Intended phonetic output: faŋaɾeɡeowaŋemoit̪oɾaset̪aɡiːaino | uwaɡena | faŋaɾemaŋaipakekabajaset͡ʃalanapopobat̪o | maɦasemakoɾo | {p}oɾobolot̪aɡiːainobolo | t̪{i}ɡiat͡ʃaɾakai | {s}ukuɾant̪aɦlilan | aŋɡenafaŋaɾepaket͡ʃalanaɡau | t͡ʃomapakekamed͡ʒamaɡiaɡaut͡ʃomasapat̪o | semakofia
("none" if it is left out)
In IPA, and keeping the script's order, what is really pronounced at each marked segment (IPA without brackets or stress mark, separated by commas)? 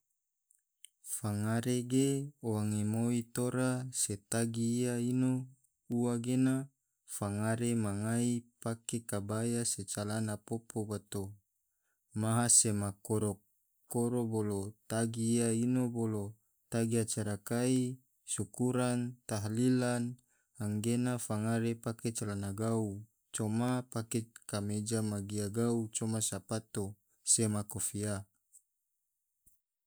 k, a, s